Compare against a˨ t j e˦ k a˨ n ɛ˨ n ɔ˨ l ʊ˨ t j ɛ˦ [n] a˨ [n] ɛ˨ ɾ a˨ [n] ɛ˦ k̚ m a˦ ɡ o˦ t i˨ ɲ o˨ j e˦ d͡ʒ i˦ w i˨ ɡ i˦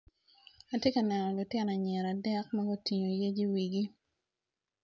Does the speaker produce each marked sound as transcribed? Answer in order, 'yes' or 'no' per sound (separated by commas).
yes, no, no